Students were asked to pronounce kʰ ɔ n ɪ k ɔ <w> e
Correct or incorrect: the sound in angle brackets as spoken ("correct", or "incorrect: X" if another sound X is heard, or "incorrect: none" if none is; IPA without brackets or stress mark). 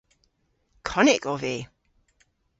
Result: incorrect: v